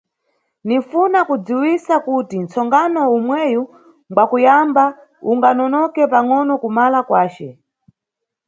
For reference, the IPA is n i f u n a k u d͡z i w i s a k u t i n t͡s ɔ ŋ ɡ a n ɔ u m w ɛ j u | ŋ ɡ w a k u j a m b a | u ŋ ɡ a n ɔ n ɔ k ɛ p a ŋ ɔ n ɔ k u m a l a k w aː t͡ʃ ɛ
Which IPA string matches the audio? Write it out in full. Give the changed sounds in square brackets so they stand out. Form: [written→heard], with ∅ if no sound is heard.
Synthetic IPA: n i f u n a k u d͡z i w i s a k u t i n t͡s ɔ ŋ ɡ a n ɔ u m w ɛ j u | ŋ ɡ w a k u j a m b a | u ŋ ɡ a n ɔ n ɔ k ɛ p a ŋ ɔ n ɔ k u m a l a k w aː t͡ʃ ɛ